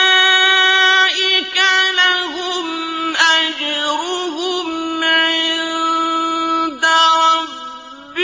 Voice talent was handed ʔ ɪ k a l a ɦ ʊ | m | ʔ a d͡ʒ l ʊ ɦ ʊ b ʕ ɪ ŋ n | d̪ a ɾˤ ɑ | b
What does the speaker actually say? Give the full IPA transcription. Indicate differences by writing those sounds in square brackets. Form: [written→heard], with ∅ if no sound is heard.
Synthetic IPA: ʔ ɪ k a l a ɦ ʊ | m | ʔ a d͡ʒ [l→ɾ] ʊ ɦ ʊ [b→m] ʕ ɪ [ŋ→n] n | d̪ a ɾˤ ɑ | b